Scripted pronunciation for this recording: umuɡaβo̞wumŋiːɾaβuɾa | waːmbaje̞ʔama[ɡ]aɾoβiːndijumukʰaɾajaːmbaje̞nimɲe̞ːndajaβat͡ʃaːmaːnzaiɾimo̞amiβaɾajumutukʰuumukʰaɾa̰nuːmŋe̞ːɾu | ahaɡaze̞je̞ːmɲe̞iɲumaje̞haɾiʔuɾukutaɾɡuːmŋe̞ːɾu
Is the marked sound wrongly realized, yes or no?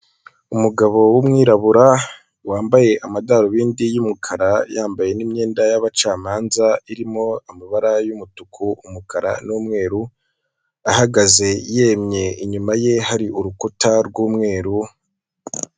yes